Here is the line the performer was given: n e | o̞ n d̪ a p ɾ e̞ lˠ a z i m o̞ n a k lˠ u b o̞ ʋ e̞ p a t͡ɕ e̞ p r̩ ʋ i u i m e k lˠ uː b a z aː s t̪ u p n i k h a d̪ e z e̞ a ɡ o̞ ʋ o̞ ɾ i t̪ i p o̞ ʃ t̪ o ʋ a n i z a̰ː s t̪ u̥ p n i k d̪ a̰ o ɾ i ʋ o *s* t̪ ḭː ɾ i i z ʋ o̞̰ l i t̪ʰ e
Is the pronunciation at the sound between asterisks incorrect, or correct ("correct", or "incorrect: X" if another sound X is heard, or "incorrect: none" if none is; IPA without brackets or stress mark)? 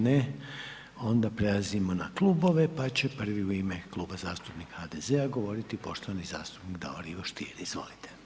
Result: incorrect: ʃ